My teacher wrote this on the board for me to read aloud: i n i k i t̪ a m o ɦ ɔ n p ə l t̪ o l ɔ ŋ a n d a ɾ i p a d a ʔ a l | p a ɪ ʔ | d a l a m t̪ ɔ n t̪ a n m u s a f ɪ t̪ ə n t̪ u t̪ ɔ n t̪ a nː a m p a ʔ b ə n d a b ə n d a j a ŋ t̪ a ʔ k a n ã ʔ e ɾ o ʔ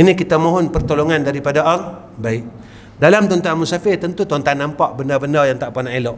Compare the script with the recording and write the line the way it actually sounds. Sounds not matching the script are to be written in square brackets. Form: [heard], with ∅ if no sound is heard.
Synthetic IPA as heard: i n i k i t̪ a m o ɦ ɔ n p ə [r] t̪ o l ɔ ŋ a n d a ɾ i p a d a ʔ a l | [b] a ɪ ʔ | d a l a m t̪ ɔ n t̪ a n m u s a f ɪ t̪ ə n t̪ u t̪ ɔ n t̪ a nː a m p a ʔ b ə n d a b ə n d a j a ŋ t̪ a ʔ [p] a n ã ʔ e [l] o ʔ

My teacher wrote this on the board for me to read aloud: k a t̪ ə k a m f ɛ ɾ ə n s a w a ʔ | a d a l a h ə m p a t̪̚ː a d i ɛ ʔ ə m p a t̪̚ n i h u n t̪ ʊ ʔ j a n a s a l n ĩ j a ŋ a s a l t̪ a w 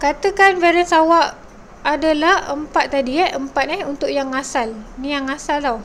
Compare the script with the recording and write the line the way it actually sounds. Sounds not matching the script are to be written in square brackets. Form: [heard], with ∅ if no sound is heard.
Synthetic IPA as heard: k a t̪ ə k a [n] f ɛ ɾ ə n s a w a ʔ | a d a l a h ə m p a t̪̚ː a d i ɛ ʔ ə m p a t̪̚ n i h u n t̪ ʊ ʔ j a [ŋ] a s a l n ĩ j a ŋ a s a l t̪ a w

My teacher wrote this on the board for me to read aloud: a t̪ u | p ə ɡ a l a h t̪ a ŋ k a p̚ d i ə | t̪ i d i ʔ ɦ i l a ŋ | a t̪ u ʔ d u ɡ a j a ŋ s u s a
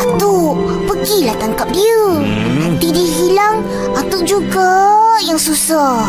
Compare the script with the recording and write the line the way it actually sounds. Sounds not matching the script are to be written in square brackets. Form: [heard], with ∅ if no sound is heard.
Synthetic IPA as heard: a t̪ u | p ə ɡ [i] l a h t̪ a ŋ k a p̚ d i ə | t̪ i d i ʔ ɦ i l a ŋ | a t̪ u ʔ [d͡ʒ] u ɡ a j a ŋ s u s a

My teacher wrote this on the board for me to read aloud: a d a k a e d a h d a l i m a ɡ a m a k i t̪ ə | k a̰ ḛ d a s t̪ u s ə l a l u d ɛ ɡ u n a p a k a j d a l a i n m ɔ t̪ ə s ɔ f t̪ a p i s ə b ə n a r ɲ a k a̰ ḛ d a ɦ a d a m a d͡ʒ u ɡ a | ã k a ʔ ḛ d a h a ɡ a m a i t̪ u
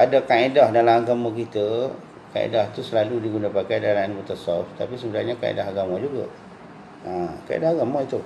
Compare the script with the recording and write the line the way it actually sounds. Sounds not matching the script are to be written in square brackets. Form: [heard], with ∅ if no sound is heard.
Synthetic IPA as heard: a d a k a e d a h d a l [a] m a ɡ a m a k i t̪ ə | k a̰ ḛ d a [h] t̪ u s ə l a l u d [i] ɡ u n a p a k a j d a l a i n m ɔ t̪ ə s ɔ f t̪ a p i s ə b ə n a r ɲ a k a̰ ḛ d a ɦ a [ɡ] a m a d͡ʒ u ɡ a | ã k a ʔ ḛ d a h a ɡ a m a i t̪ u

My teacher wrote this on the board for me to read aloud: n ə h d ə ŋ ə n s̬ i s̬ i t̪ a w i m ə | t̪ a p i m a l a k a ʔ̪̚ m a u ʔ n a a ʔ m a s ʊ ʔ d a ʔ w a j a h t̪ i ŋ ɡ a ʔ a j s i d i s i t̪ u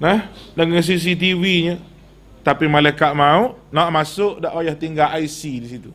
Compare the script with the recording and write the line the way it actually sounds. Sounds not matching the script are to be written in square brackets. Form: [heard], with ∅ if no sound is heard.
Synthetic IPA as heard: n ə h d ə ŋ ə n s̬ i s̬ i t̪ [i] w i [ɲ] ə | t̪ a p i m a l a k a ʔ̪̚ m a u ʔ n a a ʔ m a s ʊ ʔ d a ʔ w a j a h t̪ i ŋ ɡ a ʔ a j s i d i s i t̪ u

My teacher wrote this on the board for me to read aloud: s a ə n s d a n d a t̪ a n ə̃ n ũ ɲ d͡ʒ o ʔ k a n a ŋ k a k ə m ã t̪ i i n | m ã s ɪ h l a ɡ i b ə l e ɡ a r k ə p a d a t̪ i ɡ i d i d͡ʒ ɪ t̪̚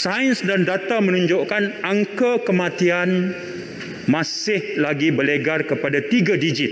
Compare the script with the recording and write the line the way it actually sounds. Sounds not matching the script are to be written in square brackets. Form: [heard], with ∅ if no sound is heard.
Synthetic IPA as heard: s a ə n s d a n d a t̪ a [m] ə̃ n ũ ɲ d͡ʒ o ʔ k a n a ŋ k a k ə m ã t̪ i [a] n | m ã s ɪ h l a ɡ i b ə l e ɡ a r k ə p a d a t̪ i ɡ [a] d i d͡ʒ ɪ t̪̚

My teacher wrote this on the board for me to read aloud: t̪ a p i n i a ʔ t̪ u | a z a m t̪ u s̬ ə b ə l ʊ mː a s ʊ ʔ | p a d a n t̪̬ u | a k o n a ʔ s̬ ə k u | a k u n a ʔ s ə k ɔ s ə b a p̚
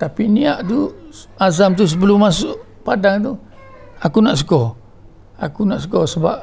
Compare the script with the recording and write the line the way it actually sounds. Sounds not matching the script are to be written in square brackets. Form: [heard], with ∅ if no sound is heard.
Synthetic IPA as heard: t̪ a p i n i a ʔ t̪ u | a z a m t̪ u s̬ ə b ə l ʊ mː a s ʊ ʔ | p a d a [ŋ] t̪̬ u | a k [u] n a ʔ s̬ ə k [ɔ] | a k u n a ʔ s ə k ɔ s ə b a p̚

